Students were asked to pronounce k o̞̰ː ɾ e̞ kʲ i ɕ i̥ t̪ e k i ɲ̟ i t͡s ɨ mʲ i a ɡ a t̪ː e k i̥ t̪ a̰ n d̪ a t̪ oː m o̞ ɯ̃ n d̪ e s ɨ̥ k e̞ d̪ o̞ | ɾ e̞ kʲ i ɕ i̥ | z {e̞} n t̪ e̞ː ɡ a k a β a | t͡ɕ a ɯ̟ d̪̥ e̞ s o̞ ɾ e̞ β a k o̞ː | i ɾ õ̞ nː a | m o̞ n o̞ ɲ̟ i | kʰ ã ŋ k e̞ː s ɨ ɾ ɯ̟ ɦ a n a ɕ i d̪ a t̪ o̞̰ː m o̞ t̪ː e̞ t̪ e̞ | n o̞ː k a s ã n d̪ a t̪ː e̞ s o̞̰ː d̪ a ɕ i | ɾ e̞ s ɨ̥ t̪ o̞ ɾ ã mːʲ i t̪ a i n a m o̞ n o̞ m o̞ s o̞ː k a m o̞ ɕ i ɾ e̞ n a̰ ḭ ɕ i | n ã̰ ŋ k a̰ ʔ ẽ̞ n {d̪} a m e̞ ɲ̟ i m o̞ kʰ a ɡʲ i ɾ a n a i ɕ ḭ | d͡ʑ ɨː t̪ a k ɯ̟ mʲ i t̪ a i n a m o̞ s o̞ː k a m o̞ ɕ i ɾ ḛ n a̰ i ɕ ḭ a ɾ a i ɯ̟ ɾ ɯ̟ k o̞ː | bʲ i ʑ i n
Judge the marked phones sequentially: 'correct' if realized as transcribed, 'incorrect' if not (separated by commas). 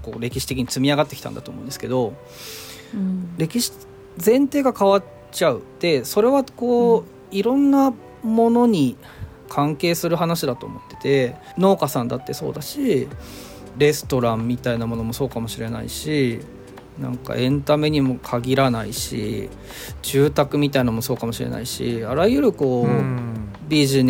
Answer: incorrect, incorrect